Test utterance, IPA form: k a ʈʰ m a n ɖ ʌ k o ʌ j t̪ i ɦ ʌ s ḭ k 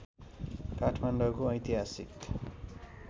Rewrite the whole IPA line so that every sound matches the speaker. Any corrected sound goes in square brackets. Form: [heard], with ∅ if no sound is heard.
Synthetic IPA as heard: k a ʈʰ m a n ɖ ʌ k o ʌ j t̪ i ɦ [a] s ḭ k